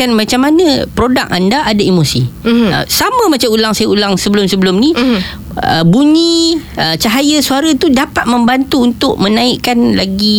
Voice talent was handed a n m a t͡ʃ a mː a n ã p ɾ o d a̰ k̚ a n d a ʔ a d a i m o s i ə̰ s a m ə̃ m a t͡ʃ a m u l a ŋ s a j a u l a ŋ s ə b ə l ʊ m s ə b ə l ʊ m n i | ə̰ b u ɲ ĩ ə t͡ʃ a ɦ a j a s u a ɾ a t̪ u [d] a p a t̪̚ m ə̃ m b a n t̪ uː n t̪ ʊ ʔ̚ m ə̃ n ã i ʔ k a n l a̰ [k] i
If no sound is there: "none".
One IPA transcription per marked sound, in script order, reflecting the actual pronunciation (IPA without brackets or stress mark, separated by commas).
d, ɡ